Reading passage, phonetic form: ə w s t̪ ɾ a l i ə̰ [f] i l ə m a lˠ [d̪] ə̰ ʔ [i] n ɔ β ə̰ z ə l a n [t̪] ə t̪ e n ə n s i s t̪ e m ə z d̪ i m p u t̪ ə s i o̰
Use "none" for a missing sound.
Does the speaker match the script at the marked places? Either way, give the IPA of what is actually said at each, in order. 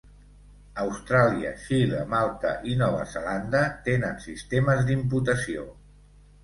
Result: ʃ, t̪, i, d̪

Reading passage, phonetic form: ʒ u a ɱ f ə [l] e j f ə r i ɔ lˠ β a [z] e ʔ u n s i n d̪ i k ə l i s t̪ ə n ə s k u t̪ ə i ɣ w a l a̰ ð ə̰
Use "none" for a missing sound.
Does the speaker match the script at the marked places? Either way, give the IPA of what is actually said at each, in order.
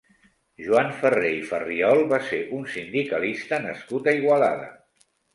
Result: r, s

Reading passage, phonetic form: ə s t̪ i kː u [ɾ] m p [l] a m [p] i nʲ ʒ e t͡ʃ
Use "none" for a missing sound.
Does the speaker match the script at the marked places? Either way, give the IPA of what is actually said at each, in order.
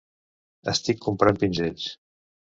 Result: none, ɾ, p

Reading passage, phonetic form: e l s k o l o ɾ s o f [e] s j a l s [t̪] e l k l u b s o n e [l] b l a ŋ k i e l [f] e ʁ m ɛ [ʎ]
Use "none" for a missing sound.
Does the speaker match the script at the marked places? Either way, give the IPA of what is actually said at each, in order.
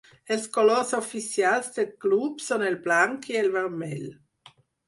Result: i, d̪, l, v, l

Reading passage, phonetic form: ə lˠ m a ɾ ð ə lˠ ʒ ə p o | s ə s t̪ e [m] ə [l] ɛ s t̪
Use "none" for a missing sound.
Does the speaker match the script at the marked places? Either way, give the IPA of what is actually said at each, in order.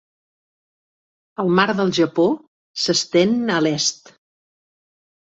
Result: n, l

